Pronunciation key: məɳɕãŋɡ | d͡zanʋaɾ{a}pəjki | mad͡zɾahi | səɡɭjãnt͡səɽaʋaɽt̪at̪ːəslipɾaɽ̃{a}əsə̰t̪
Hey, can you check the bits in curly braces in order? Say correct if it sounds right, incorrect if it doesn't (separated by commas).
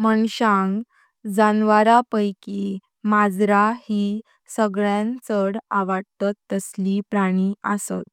correct, incorrect